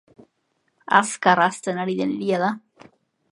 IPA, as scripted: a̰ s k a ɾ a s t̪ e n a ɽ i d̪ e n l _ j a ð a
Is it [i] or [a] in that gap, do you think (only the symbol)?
i